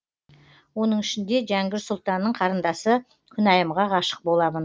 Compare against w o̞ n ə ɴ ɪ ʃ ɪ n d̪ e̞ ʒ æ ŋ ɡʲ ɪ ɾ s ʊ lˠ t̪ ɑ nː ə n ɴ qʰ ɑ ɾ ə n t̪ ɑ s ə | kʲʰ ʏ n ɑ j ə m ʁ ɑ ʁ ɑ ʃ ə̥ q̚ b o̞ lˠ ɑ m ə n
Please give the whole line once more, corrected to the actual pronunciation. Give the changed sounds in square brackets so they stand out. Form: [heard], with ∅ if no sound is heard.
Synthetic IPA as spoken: w o̞ n ə ɴ ɪ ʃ ɪ n d̪ e̞ ʒ æ ŋ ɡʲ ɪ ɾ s ʊ lˠ t̪ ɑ nː ə [∅] ɴ qʰ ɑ ɾ ə n [d̪] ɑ s ə | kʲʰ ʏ n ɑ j ə m ʁ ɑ ʁ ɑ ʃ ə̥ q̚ b o̞ lˠ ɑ m ə n